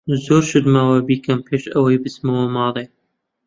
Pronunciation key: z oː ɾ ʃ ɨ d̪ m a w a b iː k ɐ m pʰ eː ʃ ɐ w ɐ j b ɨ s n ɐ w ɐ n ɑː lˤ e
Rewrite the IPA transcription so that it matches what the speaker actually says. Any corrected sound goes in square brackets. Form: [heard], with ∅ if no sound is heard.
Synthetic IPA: z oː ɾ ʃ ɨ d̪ m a w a b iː k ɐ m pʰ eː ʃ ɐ w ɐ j b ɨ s [m] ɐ w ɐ [m] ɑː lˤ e